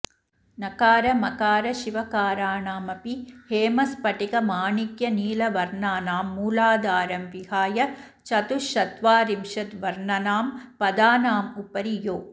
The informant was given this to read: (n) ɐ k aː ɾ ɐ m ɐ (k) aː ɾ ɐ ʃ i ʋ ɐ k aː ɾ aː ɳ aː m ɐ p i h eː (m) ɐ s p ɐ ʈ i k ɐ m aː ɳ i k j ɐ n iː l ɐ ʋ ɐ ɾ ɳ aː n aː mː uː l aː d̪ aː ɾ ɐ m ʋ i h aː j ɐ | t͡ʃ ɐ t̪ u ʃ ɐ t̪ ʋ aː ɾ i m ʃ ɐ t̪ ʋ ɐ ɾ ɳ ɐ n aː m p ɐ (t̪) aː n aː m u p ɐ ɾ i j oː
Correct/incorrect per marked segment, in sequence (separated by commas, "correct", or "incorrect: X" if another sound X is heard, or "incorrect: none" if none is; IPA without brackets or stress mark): correct, correct, correct, incorrect: d̪